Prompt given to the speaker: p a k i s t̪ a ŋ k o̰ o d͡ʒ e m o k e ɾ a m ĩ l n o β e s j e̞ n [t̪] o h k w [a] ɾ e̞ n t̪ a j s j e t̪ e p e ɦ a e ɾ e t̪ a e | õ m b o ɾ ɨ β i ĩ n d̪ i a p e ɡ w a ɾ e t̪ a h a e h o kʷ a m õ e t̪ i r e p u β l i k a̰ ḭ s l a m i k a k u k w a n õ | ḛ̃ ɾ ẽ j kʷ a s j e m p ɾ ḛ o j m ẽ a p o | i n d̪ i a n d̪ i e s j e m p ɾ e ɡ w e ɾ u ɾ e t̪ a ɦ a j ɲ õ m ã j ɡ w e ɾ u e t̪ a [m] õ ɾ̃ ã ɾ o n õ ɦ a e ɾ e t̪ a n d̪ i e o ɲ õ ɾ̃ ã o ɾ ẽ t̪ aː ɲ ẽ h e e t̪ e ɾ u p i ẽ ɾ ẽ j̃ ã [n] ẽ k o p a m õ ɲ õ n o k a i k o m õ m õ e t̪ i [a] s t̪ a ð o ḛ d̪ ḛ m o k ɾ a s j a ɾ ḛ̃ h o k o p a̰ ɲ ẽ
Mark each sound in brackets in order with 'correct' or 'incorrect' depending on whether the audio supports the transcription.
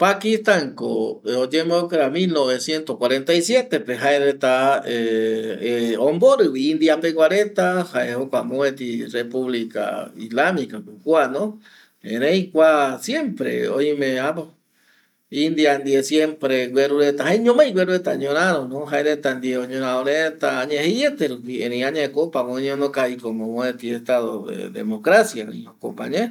correct, correct, incorrect, incorrect, incorrect

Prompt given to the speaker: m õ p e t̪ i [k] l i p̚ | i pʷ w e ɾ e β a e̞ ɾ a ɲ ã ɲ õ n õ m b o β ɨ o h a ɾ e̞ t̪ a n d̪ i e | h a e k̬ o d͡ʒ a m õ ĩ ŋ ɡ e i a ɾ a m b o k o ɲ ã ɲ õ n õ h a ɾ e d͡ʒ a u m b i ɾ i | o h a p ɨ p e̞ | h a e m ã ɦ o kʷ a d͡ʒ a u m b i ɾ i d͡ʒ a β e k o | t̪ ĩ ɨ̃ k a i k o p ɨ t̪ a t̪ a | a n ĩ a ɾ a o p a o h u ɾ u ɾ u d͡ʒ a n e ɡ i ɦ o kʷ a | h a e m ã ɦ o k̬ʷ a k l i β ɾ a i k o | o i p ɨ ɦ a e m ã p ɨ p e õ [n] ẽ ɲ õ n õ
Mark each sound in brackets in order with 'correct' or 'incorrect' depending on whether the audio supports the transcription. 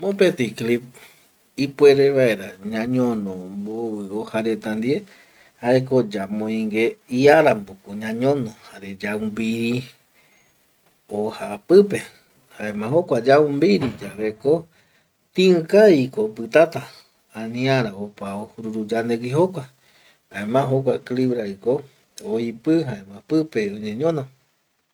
correct, incorrect

